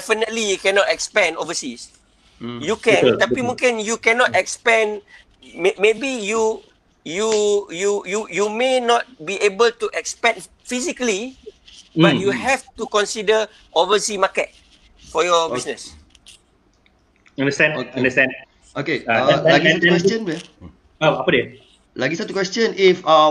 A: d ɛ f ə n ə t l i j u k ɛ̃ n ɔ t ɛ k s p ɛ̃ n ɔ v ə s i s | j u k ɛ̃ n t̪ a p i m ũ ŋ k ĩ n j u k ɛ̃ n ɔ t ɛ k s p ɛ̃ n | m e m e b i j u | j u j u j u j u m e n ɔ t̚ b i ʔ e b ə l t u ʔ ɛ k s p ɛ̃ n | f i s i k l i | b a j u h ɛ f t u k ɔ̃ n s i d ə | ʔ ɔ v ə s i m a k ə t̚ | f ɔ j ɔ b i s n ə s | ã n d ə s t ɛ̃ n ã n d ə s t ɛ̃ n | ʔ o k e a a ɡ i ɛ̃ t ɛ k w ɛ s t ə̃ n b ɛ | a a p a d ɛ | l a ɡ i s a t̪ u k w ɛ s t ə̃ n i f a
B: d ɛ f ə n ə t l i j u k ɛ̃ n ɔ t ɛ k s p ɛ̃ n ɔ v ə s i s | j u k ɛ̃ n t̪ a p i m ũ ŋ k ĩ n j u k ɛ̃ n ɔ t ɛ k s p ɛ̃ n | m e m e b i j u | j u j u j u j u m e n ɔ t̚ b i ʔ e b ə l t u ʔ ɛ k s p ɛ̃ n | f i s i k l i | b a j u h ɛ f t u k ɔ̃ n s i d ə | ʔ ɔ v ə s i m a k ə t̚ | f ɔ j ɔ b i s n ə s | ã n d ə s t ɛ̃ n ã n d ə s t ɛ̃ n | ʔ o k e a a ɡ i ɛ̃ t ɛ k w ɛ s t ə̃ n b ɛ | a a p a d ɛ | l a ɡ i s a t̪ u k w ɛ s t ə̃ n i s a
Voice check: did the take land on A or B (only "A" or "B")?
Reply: A